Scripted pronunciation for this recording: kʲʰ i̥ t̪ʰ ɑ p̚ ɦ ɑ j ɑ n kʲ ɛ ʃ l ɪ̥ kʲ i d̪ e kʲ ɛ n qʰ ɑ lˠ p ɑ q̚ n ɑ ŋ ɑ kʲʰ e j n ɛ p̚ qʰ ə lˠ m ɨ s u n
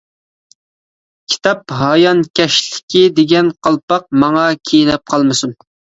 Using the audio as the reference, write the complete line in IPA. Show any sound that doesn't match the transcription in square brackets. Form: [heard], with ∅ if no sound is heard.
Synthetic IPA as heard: kʲʰ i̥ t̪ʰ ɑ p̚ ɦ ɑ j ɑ n kʲ ɛ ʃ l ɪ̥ kʲ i d̪ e [ɡʲ] ɛ n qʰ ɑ lˠ p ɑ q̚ [m] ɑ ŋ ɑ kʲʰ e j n ɛ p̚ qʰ [ɑ] lˠ m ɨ s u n